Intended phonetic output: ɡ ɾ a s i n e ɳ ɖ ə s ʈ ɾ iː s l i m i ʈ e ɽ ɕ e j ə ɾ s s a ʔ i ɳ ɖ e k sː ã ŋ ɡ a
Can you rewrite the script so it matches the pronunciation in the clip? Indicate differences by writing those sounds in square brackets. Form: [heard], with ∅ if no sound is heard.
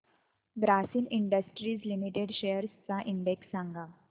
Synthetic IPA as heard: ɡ ɾ a s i n [i] ɳ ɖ ə s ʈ ɾ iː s l i m i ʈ e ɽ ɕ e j ə ɾ s [t͡s] a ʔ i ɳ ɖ e k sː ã ŋ ɡ a